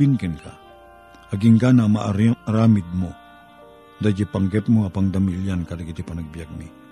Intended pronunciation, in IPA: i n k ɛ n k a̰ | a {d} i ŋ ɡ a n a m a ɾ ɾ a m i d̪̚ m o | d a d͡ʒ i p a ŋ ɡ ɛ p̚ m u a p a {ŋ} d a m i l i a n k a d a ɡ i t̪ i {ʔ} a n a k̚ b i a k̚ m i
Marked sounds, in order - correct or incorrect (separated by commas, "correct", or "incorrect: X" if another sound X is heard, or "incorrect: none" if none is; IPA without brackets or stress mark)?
incorrect: ɡ, correct, incorrect: p